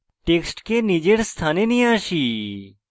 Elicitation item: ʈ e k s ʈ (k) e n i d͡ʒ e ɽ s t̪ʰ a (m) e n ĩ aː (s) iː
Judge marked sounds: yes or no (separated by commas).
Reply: yes, no, no